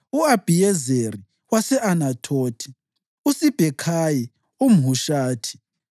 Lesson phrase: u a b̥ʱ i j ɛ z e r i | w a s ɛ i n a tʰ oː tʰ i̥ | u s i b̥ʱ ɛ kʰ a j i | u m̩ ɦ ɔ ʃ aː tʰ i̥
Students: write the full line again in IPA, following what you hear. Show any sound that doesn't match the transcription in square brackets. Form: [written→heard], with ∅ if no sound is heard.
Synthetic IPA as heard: u a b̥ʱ i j ɛ z e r i | w a s ɛ [i→a] n a tʰ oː tʰ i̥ | u s i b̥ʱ ɛ kʰ a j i | u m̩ ɦ [ɔ→u] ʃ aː tʰ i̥